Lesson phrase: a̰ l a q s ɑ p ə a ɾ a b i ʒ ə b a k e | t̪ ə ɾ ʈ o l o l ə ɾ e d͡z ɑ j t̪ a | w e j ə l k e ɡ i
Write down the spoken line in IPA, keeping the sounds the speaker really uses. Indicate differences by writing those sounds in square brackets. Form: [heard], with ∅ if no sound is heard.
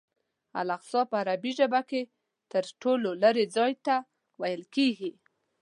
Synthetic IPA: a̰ l a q s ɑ p ə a ɾ a b i ʒ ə b a k e | t̪ ə ɾ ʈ o l o l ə ɾ e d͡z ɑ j t̪ a | w [a] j ə l k e ɡ i